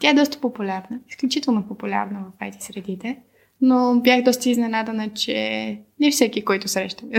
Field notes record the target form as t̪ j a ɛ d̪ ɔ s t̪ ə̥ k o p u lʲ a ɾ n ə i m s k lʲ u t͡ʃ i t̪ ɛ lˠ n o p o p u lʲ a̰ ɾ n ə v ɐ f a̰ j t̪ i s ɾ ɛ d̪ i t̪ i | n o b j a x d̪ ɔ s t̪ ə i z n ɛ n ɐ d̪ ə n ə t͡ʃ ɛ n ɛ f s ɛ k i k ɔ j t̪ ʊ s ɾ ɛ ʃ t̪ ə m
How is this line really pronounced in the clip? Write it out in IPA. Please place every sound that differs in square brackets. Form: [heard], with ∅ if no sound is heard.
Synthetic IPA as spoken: t̪ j a ɛ d̪ ɔ s t̪ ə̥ [p] o p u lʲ a ɾ n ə i [∅] s k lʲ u t͡ʃ i t̪ ɛ lˠ n o p o p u lʲ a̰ ɾ n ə v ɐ f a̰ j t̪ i s ɾ ɛ d̪ i t̪ [ɛ] | n o b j a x d̪ ɔ s t̪ ə i z n ɛ n [a] d̪ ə n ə t͡ʃ ɛ n ɛ f s ɛ k i k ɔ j t̪ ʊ s ɾ ɛ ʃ t̪ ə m